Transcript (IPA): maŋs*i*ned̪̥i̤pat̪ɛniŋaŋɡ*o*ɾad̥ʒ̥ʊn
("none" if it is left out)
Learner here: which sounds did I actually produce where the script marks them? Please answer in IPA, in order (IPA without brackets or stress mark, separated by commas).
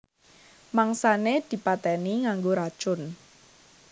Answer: a, o